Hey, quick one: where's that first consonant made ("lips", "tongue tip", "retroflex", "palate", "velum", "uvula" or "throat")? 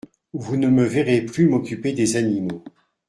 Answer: lips